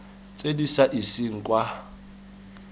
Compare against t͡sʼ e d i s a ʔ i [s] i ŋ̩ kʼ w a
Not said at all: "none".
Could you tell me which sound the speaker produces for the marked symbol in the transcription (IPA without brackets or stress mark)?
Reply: s